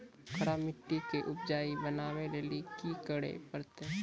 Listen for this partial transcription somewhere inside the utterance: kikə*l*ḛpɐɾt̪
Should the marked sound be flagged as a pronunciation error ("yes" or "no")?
yes